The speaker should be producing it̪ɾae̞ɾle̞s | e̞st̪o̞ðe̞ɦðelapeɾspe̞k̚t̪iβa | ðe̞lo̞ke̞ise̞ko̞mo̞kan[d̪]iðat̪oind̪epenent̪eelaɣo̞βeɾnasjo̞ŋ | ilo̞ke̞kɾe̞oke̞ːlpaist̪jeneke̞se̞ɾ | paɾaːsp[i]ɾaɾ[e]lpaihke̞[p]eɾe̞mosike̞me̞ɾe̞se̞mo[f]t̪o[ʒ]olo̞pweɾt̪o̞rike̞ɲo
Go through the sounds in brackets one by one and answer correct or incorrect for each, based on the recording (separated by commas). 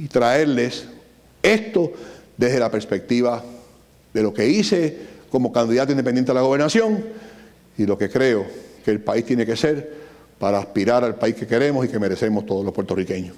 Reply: correct, correct, incorrect, incorrect, incorrect, incorrect